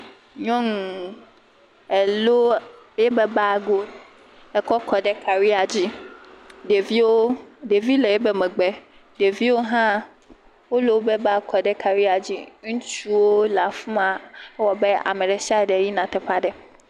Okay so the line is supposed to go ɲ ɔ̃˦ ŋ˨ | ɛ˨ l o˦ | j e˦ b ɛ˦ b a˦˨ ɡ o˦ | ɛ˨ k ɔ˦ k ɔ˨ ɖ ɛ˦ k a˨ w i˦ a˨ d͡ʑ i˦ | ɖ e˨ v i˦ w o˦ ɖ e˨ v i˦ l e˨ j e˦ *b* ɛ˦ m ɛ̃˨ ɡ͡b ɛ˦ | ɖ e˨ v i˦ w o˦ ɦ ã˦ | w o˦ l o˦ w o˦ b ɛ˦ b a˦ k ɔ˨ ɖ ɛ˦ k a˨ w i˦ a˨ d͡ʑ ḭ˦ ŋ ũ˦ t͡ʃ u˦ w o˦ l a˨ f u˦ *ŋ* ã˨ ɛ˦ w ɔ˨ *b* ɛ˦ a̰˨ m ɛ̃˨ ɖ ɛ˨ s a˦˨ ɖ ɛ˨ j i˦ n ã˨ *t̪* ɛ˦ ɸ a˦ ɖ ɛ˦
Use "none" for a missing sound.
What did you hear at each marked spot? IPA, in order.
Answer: b, m, b, t̪

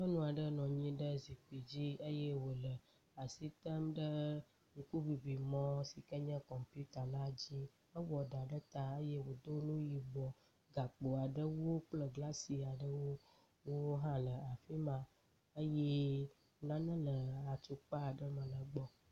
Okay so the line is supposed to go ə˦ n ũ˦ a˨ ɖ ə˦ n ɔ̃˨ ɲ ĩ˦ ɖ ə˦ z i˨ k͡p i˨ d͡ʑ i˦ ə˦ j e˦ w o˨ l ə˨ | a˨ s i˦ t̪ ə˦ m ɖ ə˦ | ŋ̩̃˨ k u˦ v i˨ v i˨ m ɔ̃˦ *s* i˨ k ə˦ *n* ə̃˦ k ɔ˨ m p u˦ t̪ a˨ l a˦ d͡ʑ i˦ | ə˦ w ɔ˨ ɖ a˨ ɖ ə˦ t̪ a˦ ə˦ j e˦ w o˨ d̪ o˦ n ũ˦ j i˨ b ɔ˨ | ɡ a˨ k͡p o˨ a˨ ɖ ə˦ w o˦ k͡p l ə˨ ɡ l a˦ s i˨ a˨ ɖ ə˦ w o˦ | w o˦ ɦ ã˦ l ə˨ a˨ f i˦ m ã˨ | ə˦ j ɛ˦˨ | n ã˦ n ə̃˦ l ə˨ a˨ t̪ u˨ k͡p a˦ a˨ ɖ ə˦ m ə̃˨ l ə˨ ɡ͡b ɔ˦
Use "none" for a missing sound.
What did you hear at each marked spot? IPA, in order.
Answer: s, ɲ

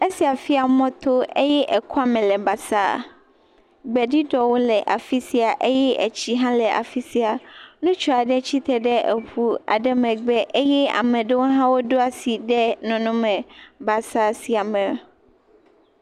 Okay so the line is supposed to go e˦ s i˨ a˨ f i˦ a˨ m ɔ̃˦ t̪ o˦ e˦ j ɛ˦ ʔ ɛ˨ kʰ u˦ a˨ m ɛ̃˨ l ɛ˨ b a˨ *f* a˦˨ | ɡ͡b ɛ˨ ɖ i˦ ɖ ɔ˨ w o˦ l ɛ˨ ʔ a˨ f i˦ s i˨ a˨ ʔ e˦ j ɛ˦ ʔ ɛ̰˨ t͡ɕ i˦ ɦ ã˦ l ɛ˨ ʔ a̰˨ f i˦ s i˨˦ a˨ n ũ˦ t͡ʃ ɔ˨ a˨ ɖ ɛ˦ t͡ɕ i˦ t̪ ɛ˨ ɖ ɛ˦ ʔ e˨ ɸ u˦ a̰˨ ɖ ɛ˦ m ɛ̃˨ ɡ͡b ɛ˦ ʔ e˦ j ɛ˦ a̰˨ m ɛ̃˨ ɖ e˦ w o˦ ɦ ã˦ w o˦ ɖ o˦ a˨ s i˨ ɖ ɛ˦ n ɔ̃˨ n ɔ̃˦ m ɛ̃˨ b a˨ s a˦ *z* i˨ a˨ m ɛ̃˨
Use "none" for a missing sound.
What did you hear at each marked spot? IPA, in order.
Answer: s, s

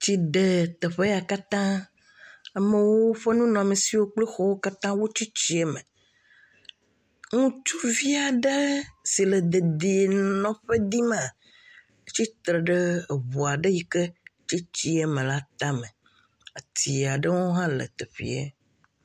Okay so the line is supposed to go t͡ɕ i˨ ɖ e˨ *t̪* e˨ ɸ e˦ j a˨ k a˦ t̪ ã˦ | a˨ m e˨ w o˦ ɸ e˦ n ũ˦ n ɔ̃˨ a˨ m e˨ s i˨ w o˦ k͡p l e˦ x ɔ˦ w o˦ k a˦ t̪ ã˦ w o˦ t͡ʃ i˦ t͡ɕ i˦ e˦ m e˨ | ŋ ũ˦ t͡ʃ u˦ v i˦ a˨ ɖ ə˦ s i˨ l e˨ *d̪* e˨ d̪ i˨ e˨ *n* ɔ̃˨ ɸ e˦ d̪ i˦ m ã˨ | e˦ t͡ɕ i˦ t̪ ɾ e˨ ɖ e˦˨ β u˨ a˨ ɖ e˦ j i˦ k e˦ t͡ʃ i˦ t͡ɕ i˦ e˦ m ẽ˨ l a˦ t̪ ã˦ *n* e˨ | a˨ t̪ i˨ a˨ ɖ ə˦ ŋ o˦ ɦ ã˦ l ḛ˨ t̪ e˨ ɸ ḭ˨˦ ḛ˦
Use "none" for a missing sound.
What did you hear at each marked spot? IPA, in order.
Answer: t̪, d̪, n, m

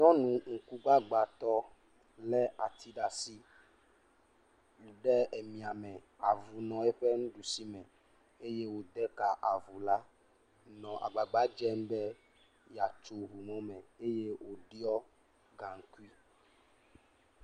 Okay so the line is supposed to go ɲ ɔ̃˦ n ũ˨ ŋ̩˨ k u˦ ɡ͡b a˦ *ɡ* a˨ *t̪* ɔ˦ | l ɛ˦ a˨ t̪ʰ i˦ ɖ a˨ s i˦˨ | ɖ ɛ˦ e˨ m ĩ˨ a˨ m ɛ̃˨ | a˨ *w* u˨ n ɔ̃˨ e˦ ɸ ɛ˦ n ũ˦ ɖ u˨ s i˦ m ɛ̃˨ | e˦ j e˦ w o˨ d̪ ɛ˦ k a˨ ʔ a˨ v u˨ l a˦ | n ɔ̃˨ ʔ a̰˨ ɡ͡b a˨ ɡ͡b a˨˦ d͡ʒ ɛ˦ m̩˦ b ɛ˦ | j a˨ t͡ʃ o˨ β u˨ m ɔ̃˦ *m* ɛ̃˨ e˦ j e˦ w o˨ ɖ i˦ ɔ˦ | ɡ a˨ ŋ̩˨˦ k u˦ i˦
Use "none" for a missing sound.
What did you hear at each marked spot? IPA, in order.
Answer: ɡ͡b, t̪, v, m

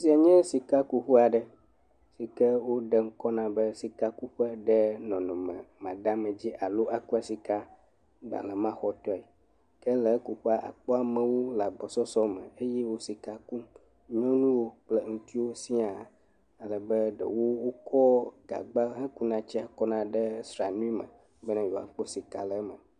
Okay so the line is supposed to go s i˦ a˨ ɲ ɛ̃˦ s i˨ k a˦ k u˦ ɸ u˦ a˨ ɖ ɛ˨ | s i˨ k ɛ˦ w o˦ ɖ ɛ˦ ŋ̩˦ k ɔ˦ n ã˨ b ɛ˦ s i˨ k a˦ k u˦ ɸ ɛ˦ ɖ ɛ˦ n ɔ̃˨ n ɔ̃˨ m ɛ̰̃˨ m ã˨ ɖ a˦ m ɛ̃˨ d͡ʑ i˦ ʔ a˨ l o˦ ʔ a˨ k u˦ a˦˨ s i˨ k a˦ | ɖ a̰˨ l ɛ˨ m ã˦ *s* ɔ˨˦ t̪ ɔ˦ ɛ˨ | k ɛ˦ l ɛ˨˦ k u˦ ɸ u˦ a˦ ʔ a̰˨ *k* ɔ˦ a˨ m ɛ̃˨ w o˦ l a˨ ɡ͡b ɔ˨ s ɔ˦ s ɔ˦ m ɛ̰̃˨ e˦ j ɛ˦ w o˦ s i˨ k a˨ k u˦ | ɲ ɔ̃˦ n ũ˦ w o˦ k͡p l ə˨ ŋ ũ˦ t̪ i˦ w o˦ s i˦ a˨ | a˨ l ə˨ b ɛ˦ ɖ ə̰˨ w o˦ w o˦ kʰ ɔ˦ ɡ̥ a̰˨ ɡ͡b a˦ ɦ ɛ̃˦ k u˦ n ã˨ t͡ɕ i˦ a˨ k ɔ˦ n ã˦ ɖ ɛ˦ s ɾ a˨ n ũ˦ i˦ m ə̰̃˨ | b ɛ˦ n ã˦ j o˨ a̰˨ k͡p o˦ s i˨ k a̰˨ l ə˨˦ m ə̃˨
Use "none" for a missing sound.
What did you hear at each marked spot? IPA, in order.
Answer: x, k͡p

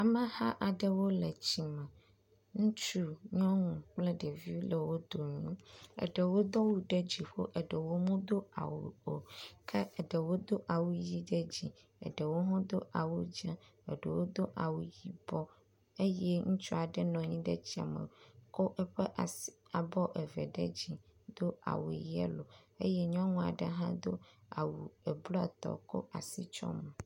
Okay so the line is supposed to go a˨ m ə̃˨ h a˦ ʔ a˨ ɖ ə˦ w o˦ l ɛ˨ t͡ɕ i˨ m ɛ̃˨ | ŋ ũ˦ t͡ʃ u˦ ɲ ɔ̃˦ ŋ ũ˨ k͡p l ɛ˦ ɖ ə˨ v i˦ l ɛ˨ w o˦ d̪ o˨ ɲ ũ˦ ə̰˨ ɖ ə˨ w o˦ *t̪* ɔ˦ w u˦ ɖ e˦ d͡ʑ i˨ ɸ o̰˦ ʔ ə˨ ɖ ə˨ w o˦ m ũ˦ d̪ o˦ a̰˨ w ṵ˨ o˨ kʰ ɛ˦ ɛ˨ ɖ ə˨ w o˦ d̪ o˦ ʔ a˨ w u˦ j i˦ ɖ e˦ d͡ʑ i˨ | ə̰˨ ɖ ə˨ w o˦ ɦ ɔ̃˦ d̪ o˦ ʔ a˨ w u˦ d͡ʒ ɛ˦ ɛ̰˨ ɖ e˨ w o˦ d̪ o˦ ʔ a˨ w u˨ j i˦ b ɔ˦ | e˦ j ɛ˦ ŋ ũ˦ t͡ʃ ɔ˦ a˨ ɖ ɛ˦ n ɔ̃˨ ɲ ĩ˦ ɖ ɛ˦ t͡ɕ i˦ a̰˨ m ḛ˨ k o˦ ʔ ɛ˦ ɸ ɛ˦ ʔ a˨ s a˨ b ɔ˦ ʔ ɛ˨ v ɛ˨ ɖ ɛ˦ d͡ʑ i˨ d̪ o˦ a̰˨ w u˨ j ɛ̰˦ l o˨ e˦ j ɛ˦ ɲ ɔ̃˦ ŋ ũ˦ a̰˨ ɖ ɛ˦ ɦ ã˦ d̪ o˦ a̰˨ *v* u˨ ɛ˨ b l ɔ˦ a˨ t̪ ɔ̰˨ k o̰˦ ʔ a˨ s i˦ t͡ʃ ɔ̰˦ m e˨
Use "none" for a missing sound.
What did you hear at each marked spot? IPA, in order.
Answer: d̪, w

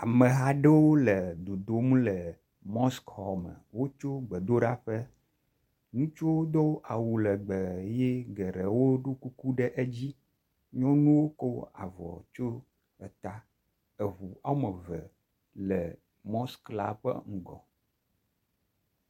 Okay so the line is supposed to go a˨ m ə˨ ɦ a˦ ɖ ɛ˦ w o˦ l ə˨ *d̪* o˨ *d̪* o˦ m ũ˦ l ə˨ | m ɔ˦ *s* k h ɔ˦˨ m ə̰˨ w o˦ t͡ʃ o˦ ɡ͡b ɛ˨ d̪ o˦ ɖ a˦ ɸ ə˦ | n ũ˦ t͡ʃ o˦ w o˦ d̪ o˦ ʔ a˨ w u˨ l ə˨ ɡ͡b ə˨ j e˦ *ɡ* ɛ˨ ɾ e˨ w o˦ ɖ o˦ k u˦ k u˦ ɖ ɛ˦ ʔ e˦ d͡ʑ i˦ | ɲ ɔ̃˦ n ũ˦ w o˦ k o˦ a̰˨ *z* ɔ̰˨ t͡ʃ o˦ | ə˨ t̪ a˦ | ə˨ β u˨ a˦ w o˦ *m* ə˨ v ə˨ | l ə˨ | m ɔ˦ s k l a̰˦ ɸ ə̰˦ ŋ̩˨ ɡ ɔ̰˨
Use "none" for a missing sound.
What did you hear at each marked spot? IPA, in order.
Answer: d̪, d̪, s, ɡ, v, m

